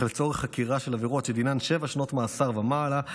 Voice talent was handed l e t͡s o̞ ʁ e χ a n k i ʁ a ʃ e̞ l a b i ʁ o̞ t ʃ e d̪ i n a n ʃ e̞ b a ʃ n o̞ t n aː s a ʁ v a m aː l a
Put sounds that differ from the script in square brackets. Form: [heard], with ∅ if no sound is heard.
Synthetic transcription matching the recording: l e t͡s o̞ ʁ e χ a [∅] k i ʁ a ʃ e̞ l a [v] i ʁ o̞ t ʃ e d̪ i n a n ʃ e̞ [v] a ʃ n o̞ t [m] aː s a ʁ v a m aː l a